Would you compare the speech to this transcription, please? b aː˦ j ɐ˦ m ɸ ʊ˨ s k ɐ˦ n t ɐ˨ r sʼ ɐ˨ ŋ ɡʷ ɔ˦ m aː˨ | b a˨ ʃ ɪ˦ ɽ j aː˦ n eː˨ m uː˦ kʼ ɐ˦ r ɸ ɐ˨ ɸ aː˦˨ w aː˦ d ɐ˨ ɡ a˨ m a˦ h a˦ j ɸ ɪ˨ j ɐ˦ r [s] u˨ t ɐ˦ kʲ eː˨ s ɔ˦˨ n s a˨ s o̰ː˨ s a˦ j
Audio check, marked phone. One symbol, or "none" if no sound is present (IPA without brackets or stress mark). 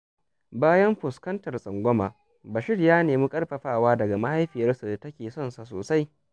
s